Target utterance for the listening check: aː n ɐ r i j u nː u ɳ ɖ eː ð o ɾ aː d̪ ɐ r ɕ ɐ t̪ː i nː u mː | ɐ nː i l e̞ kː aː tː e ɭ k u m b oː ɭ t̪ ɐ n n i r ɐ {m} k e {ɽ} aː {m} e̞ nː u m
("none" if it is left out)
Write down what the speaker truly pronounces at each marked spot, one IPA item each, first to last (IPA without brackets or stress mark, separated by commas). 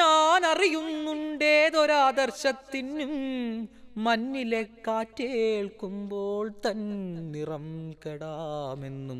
m, ɽ, m